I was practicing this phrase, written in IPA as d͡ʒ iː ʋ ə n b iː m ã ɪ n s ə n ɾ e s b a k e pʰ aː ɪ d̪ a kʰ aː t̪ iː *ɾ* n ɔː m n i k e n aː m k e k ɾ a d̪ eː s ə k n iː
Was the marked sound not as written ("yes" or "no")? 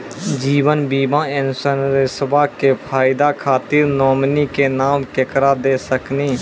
no